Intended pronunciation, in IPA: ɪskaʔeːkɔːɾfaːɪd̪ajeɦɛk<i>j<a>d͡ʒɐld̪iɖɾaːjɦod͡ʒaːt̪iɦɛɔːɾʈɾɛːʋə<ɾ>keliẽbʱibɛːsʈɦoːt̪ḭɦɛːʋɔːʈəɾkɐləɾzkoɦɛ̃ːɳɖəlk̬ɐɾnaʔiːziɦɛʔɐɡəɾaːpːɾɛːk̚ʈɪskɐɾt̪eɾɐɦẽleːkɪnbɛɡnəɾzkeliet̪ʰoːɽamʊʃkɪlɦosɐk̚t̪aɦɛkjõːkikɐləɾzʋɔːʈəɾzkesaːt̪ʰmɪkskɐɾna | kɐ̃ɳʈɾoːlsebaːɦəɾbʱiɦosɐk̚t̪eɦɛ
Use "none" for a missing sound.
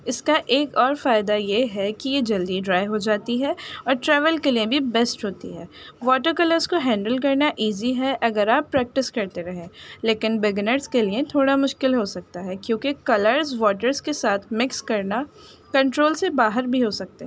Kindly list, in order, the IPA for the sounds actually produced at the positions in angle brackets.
i, e, l

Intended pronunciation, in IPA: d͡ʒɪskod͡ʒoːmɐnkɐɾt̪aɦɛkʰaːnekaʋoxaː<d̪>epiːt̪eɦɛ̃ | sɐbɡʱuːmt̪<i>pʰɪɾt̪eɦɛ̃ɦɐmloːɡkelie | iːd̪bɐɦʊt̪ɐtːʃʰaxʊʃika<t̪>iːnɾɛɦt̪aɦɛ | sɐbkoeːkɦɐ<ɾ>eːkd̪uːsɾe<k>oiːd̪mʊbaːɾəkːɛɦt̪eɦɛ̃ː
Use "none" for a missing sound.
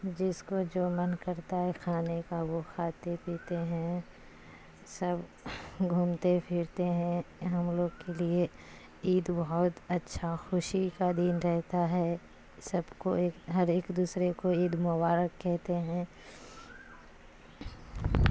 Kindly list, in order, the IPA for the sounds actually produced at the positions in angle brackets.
t̪, e, d̪, ɾ, k

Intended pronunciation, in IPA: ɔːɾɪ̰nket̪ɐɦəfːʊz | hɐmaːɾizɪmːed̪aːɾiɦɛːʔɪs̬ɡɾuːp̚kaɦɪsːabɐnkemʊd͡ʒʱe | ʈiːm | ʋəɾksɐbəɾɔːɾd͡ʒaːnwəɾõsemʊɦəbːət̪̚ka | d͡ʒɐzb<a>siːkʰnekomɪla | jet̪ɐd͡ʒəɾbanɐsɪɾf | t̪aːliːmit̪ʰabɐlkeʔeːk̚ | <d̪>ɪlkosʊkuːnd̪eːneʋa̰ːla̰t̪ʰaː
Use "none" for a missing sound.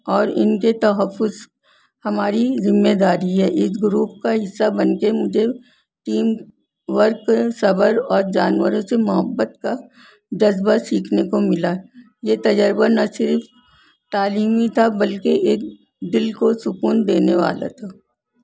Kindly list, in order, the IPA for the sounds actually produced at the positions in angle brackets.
a, d̪

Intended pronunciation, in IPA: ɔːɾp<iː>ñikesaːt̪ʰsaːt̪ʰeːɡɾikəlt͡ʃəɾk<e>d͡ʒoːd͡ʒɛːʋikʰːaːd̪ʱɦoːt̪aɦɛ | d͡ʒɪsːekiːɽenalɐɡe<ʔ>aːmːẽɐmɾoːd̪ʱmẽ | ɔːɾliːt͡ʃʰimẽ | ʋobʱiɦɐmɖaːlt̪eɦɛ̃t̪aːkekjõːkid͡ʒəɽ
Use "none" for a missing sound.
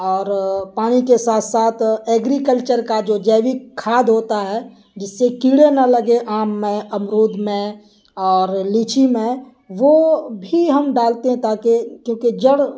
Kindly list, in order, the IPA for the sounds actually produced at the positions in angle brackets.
aː, a, ʔ

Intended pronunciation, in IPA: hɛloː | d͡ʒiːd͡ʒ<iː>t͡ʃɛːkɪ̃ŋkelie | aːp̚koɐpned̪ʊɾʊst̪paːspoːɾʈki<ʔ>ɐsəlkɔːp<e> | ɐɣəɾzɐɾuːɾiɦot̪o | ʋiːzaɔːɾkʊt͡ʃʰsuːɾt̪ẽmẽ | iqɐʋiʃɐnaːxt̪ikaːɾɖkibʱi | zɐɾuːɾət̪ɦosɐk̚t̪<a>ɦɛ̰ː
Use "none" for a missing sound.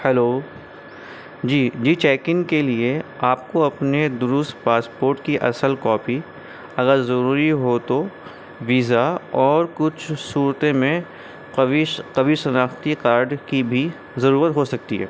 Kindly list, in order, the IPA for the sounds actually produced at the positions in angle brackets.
iː, ʔ, i, i

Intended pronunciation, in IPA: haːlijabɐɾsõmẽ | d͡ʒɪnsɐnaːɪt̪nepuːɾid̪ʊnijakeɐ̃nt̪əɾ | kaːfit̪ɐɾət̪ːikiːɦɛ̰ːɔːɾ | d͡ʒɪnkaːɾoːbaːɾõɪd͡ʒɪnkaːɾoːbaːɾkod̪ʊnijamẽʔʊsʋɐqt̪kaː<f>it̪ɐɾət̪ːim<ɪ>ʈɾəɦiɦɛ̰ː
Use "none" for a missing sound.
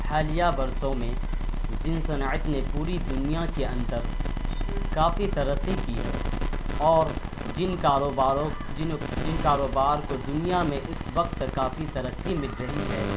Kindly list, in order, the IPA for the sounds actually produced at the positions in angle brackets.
f, ɪ

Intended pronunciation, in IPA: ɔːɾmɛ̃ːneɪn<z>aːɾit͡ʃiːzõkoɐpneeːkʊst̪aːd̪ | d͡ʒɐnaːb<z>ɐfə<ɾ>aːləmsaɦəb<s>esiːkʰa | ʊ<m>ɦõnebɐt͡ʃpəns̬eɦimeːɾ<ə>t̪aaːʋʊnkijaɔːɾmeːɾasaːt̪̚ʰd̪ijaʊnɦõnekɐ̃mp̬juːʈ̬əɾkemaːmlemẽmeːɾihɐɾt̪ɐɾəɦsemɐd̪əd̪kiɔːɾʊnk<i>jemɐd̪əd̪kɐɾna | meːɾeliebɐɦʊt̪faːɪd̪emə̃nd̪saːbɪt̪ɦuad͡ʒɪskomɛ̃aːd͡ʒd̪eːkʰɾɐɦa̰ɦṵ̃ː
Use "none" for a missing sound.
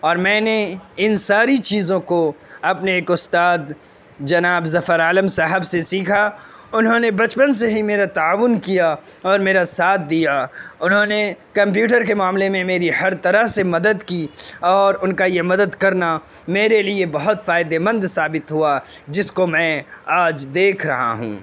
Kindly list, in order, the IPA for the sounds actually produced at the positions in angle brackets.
s, z, ɾ, s, n, a, a

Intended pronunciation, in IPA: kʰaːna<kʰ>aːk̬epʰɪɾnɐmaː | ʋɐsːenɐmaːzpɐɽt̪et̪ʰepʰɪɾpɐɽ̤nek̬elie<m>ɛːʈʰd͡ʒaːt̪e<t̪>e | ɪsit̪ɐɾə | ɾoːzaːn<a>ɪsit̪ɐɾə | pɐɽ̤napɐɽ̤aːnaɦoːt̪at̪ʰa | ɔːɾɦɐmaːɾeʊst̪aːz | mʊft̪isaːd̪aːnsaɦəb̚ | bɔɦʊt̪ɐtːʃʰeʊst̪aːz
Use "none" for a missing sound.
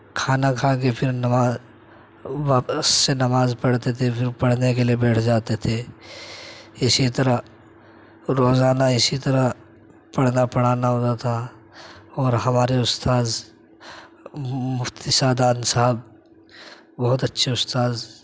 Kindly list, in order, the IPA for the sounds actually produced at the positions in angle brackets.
kʰ, b, t̪ʰ, a

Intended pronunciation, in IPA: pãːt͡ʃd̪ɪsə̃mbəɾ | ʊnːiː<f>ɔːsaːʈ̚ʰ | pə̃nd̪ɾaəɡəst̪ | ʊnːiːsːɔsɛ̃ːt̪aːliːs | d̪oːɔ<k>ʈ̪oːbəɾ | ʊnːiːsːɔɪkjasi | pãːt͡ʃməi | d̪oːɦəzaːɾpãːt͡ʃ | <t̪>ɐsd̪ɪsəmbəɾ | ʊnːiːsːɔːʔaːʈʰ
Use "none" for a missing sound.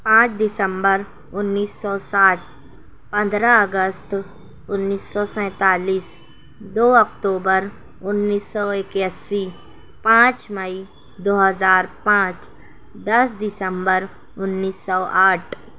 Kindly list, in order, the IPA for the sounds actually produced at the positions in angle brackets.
s, k, d̪

